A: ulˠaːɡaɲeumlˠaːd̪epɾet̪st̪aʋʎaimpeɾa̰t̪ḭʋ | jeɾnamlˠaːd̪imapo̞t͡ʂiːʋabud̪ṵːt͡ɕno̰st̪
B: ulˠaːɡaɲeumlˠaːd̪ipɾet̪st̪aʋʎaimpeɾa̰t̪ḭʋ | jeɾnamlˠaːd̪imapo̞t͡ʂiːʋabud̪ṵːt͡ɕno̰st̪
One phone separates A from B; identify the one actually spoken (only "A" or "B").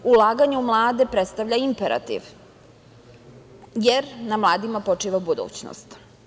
A